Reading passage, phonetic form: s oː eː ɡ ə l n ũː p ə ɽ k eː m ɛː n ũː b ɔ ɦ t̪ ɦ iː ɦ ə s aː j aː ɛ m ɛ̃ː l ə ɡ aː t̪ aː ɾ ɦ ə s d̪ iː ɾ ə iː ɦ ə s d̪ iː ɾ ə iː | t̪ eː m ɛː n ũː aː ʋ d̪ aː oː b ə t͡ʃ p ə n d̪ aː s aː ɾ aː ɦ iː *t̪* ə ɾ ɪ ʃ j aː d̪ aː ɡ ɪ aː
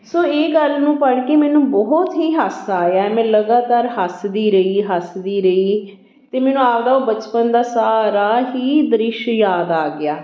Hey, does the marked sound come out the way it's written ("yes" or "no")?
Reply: no